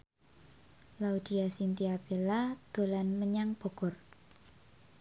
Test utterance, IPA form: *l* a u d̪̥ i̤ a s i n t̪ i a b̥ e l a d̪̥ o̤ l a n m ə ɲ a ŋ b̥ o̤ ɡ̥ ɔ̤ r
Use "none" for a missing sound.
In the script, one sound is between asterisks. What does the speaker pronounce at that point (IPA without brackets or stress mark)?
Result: l